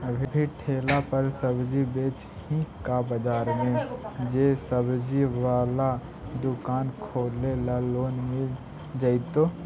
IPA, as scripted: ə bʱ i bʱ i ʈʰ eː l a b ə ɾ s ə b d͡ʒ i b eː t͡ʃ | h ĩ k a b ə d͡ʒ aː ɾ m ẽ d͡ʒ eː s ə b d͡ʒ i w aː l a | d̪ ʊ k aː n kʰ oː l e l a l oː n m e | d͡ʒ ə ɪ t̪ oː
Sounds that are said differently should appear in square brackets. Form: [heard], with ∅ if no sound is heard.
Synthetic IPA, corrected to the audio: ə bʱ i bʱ i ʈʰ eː l a [p] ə ɾ s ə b d͡ʒ i b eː t͡ʃ | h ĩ k a b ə d͡ʒ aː ɾ m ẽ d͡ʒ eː s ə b d͡ʒ i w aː l a | d̪ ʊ k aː n kʰ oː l e l a l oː n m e | d͡ʒ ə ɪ t̪ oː